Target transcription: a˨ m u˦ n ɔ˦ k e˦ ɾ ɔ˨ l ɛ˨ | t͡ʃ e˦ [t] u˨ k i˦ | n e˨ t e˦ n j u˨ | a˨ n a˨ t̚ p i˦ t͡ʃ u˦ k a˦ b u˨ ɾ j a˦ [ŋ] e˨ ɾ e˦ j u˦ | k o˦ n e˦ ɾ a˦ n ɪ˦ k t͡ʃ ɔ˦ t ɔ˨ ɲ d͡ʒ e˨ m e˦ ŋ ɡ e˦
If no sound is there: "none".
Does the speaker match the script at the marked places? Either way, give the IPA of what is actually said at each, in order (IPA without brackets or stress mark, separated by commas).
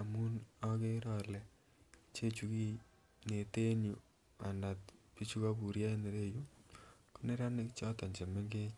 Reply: t͡ʃ, n